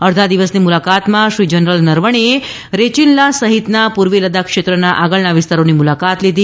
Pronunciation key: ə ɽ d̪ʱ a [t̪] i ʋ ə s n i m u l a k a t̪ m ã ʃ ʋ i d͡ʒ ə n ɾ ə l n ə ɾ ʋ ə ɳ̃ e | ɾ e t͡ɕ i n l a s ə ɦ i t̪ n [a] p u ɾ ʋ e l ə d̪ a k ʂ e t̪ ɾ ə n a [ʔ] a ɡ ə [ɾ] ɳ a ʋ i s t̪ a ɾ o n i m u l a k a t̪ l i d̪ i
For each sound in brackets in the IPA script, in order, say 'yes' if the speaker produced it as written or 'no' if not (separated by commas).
no, yes, yes, no